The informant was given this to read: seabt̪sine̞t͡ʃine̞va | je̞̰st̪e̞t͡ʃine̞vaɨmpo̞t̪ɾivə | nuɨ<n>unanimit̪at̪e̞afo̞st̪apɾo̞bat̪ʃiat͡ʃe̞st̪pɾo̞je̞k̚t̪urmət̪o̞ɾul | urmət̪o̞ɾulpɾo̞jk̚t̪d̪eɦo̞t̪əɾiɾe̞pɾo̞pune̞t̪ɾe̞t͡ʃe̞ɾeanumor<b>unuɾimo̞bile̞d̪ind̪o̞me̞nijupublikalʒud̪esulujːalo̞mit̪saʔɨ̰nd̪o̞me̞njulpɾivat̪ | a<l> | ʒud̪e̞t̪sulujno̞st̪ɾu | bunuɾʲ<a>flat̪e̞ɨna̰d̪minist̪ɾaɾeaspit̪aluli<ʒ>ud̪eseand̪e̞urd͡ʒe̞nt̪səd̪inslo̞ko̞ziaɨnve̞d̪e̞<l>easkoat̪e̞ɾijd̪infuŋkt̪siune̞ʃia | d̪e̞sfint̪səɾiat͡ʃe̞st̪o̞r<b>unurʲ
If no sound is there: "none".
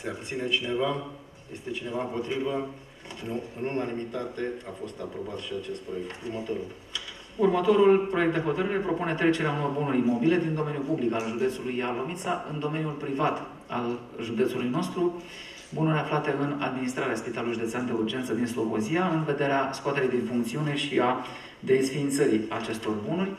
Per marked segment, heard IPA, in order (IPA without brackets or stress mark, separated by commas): n, b, l, a, ʒ, ɾ, b